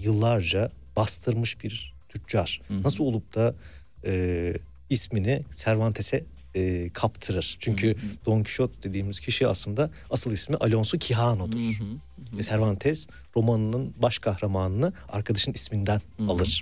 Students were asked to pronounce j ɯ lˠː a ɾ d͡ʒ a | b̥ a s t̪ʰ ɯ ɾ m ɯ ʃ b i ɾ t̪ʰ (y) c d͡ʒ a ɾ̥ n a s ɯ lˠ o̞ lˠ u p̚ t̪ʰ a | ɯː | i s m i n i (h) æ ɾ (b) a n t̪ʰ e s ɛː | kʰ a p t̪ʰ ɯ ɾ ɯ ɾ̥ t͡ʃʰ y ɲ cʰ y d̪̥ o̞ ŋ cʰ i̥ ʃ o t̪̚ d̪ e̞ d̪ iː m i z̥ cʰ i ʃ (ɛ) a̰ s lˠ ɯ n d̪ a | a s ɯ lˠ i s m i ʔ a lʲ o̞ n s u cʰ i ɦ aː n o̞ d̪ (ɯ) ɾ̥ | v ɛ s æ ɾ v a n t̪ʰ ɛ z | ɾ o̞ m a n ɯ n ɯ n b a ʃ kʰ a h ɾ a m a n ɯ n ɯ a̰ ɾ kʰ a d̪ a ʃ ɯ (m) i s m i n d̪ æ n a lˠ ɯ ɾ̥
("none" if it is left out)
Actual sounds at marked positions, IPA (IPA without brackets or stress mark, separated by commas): y, s, v, i, u, n